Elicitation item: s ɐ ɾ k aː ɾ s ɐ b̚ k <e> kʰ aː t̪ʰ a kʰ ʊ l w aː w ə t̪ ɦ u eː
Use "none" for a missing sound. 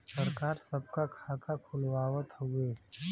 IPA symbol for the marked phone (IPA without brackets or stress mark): a